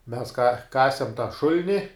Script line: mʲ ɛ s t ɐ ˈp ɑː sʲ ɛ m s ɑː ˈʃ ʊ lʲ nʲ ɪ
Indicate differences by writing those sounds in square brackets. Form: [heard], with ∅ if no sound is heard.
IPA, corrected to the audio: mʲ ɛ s [k] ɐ [ˈk] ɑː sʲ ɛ m [t] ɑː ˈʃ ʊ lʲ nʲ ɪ